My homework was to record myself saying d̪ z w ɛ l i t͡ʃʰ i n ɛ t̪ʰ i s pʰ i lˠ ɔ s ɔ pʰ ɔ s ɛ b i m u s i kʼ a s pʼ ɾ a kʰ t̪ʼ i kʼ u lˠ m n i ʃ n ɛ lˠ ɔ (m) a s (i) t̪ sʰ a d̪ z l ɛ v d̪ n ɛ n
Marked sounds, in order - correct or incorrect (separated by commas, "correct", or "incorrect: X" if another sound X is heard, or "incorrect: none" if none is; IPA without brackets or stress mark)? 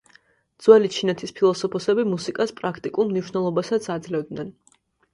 incorrect: b, incorrect: a